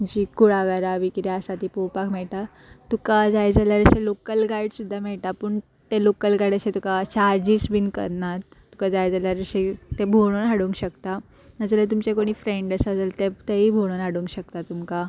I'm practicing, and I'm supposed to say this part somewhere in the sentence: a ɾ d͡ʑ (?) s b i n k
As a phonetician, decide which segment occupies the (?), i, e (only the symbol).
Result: i